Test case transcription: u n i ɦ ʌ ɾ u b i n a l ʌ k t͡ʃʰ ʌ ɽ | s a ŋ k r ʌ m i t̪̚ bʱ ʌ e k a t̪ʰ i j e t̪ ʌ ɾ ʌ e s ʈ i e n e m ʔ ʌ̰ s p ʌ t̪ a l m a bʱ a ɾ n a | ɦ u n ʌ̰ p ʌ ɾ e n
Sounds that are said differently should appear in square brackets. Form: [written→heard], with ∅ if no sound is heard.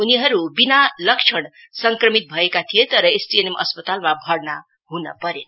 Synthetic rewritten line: u n i ɦ ʌ ɾ u b i n a l ʌ k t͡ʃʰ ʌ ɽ | s [a→ʌ] ŋ k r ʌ m i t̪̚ bʱ ʌ e k a t̪ʰ i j e t̪ ʌ ɾ ʌ e s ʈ i e n e m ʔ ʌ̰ s p ʌ t̪ a l m a bʱ [a→ʌ] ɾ n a | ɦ u n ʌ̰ p ʌ ɾ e n